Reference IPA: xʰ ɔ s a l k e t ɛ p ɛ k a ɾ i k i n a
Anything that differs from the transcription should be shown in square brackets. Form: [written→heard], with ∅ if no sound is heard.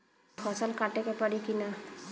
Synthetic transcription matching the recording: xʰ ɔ s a l k [e→a] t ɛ [p→k] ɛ [k→p] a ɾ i k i n a

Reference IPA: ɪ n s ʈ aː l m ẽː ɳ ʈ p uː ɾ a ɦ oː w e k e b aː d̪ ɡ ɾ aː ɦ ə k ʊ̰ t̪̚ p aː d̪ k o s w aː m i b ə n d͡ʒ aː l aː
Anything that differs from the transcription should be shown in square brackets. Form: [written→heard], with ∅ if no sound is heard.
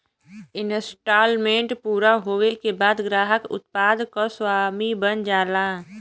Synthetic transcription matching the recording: ɪ n s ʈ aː l m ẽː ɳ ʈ p uː ɾ a ɦ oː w e k e b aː d̪ ɡ ɾ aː ɦ ə k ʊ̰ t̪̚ p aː d̪ k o s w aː m i b ə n d͡ʒ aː l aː

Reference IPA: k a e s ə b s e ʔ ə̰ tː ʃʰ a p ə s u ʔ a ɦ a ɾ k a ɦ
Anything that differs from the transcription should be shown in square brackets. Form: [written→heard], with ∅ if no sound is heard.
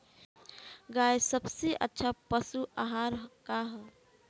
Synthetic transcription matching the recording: [k→ɡ] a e s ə b s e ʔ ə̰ tː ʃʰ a p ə s u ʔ a ɦ a ɾ k a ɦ

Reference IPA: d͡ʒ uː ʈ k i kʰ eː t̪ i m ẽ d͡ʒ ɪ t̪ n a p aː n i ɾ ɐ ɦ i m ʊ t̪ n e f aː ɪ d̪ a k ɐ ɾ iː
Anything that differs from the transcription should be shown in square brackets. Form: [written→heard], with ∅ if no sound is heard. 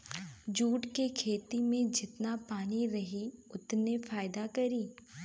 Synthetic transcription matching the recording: d͡ʒ uː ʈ k [i→e] kʰ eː t̪ i m ẽ d͡ʒ ɪ t̪ n a p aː n i ɾ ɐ ɦ i [m→∅] ʊ t̪ n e f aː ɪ d̪ a k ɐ ɾ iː

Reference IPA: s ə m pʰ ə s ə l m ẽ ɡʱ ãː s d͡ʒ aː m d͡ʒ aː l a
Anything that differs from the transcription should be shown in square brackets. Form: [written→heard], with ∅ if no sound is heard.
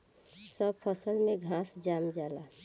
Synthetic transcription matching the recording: s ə [m→b] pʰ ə s ə l m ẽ ɡʱ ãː s d͡ʒ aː m d͡ʒ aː l a

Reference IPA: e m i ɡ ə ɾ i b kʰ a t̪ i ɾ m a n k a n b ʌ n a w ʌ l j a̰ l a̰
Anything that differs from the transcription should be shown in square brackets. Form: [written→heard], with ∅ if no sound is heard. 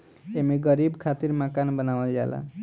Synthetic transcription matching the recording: e m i ɡ [ə→ʌ] ɾ i b kʰ a t̪ i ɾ m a [n→∅] k a n b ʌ n a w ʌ l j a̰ l a̰

